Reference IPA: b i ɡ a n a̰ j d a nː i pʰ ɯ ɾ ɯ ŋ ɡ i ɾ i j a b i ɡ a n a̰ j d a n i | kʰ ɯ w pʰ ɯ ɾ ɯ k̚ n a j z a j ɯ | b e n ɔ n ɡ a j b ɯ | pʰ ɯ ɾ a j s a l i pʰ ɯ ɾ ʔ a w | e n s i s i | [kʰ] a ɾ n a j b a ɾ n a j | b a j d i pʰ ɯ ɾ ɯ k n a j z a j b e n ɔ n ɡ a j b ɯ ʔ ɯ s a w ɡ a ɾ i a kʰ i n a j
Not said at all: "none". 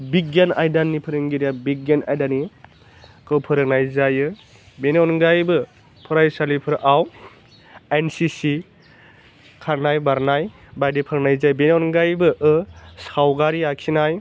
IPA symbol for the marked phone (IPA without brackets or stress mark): kʰ